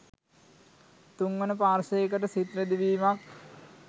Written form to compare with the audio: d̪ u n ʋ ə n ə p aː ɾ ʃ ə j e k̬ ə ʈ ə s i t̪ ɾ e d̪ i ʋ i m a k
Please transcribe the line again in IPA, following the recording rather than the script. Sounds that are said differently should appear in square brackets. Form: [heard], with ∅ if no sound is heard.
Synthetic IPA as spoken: [t̪] u [ŋ] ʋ ə n ə p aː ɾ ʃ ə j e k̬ ə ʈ ə s i t̪ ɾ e d̪ i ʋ [iː] m a k